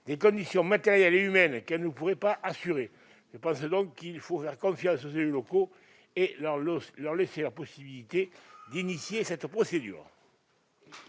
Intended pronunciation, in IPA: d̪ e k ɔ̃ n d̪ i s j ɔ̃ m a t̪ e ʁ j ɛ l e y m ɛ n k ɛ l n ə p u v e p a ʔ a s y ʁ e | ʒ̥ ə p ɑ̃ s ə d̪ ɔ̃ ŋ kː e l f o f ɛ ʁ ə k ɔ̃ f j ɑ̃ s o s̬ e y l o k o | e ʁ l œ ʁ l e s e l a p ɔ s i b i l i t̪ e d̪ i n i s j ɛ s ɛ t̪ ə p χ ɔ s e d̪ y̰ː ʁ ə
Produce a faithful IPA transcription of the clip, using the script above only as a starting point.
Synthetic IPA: d̪ e k ɔ̃ n d̪ i s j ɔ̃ m a t̪ e ʁ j ɛ l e y m ɛ n k ɛ l n ə p u ʁ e p a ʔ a s y ʁ e | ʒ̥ ə p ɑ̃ s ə d̪ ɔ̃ ŋ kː i l f o f ɛ ʁ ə k ɔ̃ f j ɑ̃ s o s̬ e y l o k o | e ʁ l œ ʁ l e s e l a p ɔ s i b i l i t̪ e d̪ i n i s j e s ɛ t̪ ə p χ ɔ s e d̪ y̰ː ʁ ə